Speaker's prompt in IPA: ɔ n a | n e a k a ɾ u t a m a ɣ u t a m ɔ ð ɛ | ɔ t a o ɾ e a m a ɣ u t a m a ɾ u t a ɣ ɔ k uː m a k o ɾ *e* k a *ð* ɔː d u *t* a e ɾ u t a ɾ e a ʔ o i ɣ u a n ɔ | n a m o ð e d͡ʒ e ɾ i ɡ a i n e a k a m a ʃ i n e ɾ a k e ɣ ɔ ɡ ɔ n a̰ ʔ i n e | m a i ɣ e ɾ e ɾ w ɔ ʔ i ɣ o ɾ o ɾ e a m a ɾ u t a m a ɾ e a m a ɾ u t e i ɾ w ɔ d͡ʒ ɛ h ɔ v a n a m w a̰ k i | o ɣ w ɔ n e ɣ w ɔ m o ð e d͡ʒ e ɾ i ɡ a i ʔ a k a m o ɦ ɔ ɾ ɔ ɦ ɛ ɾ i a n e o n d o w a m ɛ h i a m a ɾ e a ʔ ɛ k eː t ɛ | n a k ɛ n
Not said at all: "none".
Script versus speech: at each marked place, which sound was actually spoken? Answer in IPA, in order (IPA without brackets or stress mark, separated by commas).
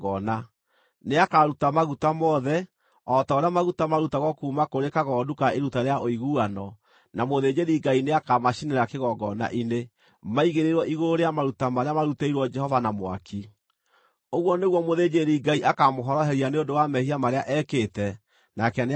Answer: e, ɣ, k